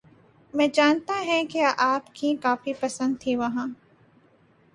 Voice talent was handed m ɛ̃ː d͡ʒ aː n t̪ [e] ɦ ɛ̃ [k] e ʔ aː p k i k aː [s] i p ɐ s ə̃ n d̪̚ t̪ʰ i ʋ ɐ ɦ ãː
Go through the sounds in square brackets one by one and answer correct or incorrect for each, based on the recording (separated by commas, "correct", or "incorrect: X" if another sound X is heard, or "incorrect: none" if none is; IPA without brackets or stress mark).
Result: incorrect: a, correct, incorrect: f